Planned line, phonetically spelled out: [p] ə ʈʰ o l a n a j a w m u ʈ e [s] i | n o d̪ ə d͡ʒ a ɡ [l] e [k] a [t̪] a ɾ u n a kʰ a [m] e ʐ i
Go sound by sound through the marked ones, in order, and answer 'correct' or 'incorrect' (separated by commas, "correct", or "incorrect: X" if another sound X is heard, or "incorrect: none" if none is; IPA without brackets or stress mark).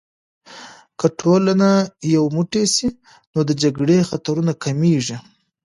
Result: incorrect: k, correct, incorrect: ɽ, incorrect: x, correct, correct